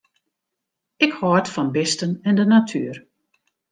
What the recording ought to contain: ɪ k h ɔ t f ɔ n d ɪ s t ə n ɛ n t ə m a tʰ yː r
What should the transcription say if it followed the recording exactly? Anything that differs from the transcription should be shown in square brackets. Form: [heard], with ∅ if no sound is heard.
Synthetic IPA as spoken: ɪ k h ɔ t f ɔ n [b] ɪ s t ə n ɛ n [d] ə [n] a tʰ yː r